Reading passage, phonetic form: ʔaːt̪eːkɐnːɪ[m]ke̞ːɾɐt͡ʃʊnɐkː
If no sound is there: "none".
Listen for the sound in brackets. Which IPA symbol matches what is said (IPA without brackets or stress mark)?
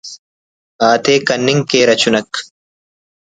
ŋ